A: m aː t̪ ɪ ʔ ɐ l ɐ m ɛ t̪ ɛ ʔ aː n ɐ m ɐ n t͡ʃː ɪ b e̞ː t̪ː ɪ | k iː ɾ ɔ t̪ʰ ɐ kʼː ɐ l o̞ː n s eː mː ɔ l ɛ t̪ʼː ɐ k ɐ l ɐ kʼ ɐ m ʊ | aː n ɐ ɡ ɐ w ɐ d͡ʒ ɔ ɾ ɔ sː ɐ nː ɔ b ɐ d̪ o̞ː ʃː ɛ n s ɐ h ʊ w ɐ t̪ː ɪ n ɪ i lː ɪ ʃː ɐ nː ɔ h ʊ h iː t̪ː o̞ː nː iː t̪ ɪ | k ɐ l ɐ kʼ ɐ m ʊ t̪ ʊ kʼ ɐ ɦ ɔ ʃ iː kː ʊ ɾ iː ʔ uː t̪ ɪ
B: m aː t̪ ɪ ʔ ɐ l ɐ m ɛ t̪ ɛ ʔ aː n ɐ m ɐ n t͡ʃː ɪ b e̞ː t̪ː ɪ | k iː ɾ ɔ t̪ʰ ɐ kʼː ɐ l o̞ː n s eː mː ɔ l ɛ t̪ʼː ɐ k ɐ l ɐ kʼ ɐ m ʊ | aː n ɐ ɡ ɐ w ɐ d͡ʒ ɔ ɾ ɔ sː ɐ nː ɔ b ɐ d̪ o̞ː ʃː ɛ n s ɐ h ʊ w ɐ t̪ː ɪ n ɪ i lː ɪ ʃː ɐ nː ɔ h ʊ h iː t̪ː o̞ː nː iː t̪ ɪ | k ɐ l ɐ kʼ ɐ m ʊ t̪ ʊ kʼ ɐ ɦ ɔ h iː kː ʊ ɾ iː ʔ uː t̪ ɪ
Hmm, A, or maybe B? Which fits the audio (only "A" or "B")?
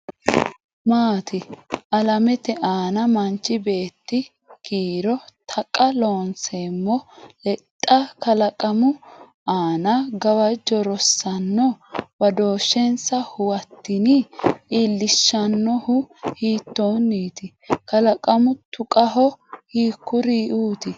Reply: B